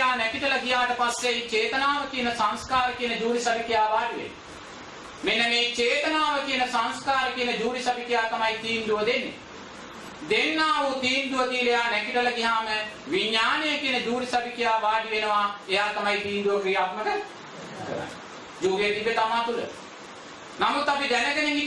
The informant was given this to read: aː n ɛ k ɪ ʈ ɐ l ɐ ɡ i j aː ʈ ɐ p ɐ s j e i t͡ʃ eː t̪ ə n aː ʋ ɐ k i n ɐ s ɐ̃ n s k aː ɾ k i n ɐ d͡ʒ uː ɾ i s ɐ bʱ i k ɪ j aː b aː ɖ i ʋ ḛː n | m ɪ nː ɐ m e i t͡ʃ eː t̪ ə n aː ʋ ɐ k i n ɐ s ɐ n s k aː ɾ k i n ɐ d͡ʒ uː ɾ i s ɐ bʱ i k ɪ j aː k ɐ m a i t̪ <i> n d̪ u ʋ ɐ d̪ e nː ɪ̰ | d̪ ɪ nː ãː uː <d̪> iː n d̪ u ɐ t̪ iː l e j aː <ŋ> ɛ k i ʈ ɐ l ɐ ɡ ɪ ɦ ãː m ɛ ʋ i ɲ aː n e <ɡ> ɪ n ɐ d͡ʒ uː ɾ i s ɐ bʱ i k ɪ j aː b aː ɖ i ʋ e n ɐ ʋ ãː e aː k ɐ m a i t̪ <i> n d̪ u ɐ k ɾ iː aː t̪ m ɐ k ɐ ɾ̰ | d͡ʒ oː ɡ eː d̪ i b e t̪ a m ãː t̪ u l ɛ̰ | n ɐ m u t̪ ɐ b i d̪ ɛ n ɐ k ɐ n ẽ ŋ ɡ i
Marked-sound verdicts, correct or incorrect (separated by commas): incorrect, incorrect, incorrect, incorrect, incorrect